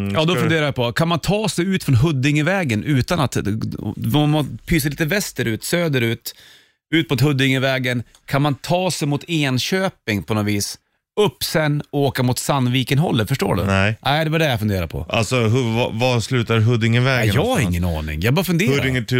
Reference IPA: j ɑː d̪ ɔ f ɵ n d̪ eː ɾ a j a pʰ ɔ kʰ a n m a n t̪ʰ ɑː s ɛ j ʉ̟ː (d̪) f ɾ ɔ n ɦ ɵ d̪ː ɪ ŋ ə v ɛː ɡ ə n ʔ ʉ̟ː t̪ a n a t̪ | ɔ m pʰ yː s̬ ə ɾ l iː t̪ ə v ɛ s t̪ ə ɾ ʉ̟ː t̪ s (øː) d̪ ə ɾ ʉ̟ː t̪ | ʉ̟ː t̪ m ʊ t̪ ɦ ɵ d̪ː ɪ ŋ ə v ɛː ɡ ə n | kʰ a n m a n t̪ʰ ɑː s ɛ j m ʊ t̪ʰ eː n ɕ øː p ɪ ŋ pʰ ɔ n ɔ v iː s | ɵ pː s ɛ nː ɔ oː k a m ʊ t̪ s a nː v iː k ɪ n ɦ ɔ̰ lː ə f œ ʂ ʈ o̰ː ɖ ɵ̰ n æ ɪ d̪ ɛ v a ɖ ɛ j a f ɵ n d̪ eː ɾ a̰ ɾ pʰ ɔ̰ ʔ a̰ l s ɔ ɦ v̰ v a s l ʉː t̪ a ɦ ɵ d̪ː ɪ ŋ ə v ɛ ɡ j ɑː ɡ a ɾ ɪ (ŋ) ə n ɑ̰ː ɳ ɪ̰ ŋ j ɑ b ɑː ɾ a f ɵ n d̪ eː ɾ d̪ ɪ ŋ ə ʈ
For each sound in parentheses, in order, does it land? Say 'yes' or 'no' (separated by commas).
no, yes, no